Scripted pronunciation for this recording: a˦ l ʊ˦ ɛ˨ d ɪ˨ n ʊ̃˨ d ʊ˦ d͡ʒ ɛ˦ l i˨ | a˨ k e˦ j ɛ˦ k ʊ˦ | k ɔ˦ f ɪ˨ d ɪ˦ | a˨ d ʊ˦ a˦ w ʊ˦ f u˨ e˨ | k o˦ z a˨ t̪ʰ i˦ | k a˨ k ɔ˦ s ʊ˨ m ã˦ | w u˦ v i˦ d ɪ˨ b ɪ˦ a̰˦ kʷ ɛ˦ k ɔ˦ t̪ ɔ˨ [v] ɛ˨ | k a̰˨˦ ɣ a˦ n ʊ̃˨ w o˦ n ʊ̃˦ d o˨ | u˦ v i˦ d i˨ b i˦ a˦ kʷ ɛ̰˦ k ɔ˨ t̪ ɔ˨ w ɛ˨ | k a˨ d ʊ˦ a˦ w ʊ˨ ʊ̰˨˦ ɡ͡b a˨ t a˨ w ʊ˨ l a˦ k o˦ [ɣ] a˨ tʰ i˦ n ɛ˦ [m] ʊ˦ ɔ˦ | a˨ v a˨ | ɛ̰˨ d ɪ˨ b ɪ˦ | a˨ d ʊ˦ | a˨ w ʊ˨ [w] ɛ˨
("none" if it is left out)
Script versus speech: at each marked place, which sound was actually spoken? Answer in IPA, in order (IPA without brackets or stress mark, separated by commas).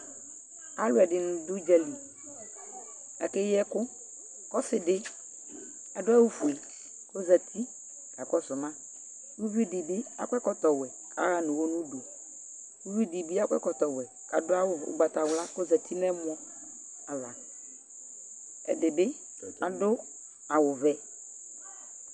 w, z, m, v